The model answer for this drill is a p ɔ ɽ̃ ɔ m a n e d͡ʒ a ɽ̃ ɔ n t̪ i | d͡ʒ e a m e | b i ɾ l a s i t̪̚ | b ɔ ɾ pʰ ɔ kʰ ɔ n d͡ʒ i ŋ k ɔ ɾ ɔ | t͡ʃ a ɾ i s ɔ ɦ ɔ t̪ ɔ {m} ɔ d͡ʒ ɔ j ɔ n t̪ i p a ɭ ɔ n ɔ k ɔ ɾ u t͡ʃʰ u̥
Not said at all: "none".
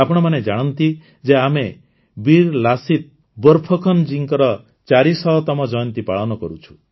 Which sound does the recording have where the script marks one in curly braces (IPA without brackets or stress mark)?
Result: m